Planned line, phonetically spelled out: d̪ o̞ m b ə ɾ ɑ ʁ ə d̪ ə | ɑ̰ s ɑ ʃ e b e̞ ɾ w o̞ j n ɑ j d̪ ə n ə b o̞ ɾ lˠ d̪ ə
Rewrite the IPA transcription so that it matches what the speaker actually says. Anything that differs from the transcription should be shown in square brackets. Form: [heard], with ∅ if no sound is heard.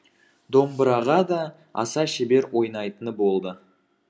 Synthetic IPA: d̪ o̞ m b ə ɾ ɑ ʁ [ɑ] d̪ [ɑ] | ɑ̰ s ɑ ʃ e b e̞ ɾ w o̞ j n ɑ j [t̪] ə n ə b o̞ [∅] lˠ d̪ ə